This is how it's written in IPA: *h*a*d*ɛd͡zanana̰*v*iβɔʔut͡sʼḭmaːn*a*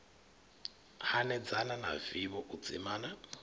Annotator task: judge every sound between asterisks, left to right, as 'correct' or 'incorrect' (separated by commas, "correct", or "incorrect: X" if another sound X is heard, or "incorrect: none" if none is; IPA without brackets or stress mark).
correct, incorrect: n, correct, correct